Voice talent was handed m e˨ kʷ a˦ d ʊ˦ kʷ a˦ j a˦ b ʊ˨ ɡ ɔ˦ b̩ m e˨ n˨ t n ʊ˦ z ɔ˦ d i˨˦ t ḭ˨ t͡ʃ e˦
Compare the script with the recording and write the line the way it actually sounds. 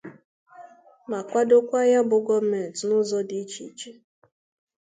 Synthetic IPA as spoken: m a˨ kʷ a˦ d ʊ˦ kʷ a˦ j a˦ b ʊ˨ ɡ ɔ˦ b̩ m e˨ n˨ t n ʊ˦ z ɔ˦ d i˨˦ t͡ʃ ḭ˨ t͡ʃ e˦